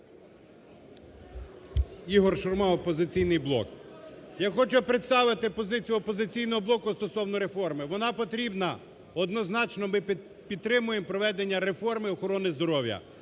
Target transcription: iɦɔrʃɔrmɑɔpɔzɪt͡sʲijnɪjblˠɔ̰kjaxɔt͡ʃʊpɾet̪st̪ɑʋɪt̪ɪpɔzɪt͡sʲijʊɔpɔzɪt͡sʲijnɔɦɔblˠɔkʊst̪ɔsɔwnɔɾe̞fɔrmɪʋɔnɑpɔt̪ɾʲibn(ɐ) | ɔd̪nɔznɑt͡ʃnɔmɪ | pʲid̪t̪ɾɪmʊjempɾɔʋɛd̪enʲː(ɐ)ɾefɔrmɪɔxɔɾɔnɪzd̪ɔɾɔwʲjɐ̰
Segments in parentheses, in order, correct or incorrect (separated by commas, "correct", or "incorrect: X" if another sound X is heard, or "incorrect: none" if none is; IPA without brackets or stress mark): correct, correct